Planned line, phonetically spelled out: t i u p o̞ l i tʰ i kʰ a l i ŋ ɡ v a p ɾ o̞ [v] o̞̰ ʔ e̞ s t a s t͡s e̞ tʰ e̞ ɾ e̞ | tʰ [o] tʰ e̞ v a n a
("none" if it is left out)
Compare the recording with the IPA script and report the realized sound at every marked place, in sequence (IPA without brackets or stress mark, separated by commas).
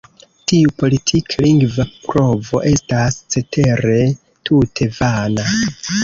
v, u